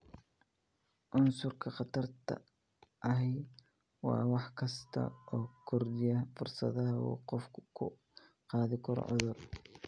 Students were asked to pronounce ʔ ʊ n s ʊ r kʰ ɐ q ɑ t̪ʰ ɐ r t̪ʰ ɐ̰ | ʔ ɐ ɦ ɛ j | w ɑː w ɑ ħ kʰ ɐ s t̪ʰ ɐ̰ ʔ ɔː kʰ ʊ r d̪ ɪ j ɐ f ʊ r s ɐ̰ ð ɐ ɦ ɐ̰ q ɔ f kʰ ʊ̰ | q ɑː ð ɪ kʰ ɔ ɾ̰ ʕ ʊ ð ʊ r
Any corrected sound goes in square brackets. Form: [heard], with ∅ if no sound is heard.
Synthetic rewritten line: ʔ ʊ n s ʊ r kʰ ɐ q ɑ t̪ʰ ɐ r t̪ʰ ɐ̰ | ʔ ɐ ɦ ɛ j | w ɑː w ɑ ħ kʰ ɐ s t̪ʰ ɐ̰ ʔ ɔː kʰ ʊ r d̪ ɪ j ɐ f ʊ r s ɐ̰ ð ɐ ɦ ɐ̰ q ɔ f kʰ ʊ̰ | q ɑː ð ɪ kʰ ɔ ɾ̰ ʕ ʊ ð ʊ r

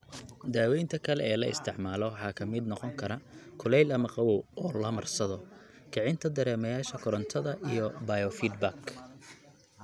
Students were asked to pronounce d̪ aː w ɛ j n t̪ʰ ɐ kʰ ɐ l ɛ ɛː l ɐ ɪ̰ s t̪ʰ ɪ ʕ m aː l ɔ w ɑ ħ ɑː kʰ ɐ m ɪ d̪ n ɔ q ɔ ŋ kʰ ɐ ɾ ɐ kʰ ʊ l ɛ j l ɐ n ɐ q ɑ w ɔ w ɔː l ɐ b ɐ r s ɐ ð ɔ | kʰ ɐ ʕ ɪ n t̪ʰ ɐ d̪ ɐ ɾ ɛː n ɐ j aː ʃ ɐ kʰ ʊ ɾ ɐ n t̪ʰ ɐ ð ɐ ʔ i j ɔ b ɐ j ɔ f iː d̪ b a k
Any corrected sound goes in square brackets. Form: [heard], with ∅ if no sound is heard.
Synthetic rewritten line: d̪ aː w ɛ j n t̪ʰ ɐ kʰ ɐ l ɛ ɛː l ɐ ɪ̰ s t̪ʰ ɪ ʕ m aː l ɔ w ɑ ħ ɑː kʰ ɐ m ɪ d̪ n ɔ q ɔ ŋ kʰ ɐ ɾ ɐ kʰ ʊ l ɛ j l ɐ [m] ɐ q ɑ w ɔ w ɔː l ɐ [m] ɐ r s ɐ ð ɔ | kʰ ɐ ʕ ɪ n t̪ʰ ɐ d̪ ɐ ɾ ɛː [m] ɐ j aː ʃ ɐ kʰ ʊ ɾ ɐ n t̪ʰ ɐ ð ɐ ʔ i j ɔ b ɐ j ɔ f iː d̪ b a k

